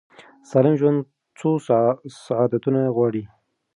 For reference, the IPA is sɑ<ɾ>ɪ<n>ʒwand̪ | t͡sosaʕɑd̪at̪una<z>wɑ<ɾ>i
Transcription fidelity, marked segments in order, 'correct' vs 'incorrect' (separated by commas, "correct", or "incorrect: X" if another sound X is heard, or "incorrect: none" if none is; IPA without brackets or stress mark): incorrect: l, incorrect: m, incorrect: ɣ, incorrect: ɽ